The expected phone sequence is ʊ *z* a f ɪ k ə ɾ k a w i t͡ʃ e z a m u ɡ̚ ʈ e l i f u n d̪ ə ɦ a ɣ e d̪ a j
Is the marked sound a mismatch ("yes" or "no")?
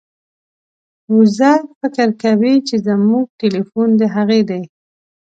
no